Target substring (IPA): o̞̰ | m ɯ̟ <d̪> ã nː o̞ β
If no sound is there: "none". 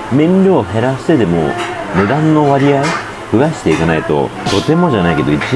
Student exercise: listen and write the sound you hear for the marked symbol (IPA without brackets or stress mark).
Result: d̪